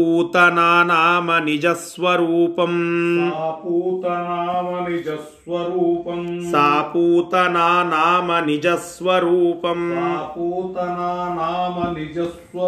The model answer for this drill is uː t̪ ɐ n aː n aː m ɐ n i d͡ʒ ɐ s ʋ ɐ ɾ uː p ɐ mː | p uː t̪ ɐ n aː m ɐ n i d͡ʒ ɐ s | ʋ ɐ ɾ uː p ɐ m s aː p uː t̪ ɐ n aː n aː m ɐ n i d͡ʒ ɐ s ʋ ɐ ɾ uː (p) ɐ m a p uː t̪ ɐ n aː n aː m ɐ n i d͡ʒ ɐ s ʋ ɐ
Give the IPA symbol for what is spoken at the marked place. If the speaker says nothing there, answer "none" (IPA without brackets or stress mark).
p